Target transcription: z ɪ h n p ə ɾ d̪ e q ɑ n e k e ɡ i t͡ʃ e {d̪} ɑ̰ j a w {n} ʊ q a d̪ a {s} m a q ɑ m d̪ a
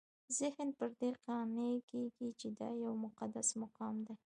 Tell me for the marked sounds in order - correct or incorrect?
correct, incorrect: m, correct

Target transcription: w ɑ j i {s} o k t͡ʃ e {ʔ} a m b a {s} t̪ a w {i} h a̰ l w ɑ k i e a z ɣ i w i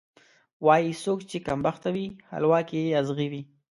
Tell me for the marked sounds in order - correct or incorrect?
correct, incorrect: k, incorrect: x, correct

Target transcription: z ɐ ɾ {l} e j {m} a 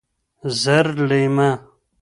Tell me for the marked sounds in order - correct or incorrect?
correct, correct

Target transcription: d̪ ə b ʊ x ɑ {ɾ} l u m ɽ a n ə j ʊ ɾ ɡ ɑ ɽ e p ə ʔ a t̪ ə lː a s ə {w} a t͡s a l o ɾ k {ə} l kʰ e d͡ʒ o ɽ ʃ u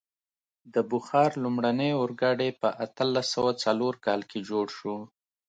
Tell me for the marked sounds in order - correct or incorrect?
correct, correct, incorrect: ɑ

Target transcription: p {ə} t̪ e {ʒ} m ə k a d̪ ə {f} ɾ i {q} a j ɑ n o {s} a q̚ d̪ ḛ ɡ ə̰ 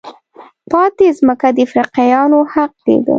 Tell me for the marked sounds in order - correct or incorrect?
incorrect: ɑ, incorrect: z, correct, correct, incorrect: h

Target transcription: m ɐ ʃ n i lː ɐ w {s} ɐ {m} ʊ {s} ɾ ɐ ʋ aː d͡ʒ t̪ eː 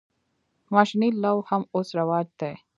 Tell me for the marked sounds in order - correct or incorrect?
incorrect: h, correct, correct

